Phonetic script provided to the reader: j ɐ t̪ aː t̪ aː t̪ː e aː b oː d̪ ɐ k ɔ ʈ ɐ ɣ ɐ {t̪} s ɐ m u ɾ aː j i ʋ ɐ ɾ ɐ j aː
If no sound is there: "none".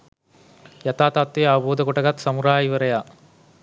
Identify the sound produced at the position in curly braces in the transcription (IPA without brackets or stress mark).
t̪